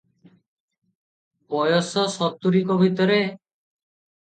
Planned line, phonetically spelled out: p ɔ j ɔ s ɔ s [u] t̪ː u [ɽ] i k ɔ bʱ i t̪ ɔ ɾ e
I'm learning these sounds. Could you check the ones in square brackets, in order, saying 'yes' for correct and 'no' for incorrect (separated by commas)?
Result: no, no